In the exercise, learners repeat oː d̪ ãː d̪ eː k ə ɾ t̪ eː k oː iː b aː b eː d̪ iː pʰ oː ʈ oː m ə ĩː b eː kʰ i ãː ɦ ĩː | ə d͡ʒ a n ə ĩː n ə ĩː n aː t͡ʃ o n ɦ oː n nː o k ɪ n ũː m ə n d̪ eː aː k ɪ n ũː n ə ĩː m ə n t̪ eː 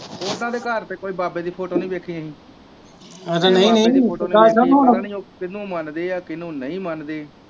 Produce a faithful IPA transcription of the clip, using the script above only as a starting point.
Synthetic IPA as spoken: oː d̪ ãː d̪ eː k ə ɾ t̪ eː k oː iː b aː b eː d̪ iː pʰ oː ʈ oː n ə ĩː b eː kʰ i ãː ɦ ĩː | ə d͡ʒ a n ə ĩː n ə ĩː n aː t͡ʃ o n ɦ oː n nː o k ɪ n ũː m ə n d̪ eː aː k ɪ n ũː n ə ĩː m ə n d̪ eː